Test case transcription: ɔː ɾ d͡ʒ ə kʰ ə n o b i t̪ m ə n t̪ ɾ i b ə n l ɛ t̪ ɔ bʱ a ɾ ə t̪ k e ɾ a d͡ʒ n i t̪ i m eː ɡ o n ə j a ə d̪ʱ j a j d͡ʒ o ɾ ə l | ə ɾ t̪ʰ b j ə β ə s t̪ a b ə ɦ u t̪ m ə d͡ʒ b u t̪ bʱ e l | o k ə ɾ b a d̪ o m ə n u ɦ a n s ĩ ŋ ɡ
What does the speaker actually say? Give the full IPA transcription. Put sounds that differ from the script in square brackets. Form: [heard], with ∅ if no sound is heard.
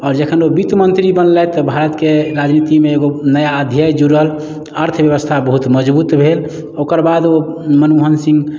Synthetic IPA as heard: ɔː ɾ d͡ʒ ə kʰ ə n o b i t̪ m ə n t̪ ɾ i b ə n l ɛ t̪ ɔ bʱ a ɾ ə t̪ k e ɾ a d͡ʒ n i t̪ i m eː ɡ o n ə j a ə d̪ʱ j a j d͡ʒ [u] ɾ ə l | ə ɾ t̪ʰ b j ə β ə s [t̪ʰ] a b ə ɦ u t̪ m ə d͡ʒ b u t̪ bʱ e l | o k ə ɾ b a d̪ o m ə n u ɦ [ə] n s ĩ ŋ ɡ